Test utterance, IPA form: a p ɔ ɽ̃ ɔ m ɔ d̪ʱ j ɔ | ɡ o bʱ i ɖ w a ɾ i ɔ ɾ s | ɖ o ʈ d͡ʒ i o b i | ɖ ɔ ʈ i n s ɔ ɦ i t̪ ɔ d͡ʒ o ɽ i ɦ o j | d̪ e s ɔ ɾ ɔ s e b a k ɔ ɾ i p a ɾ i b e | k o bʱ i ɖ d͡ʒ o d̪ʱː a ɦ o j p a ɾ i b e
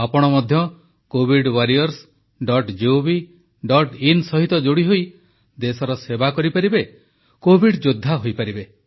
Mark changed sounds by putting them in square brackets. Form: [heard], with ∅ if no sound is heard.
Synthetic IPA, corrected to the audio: a p ɔ ɽ̃ ɔ m ɔ d̪ʱ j ɔ | [k] o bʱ i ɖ w a ɾ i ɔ ɾ s | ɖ [ɔ] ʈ d͡ʒ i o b i | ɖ ɔ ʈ i n s ɔ ɦ i t̪ ɔ d͡ʒ o ɽ i ɦ o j | d̪ e s ɔ ɾ ɔ s e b a k ɔ ɾ i p a ɾ i b e | k o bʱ i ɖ d͡ʒ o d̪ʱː a ɦ o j p a ɾ i b e